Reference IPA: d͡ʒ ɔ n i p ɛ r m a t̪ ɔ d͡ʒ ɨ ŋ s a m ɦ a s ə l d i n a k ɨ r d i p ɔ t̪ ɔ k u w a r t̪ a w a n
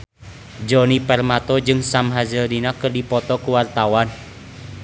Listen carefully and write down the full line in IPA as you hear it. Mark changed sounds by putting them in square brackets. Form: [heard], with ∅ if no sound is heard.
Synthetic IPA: d͡ʒ ɔ n i p ɛ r m a t̪ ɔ d͡ʒ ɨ ŋ s a m ɦ a [z] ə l d i n a k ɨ r d i p ɔ t̪ ɔ k u w a r t̪ a w a n